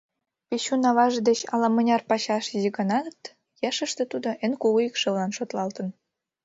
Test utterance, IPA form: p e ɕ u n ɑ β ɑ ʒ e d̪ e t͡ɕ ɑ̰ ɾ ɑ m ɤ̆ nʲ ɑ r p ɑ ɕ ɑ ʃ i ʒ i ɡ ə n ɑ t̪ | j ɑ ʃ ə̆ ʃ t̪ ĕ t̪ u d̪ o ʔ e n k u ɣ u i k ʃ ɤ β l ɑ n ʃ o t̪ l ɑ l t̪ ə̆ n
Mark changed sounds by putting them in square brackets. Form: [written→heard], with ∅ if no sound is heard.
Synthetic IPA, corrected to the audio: p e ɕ u n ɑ β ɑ ʒ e d̪ e t͡ɕ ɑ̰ [ɾ→l] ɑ m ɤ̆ nʲ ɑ r p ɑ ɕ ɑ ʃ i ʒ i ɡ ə n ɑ t̪ | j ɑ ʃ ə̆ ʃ t̪ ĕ t̪ u d̪ o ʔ e n k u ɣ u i k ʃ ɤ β l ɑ n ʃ o t̪ l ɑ l t̪ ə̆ n